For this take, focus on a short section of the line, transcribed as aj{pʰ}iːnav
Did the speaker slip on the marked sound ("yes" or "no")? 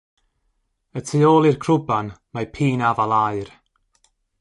no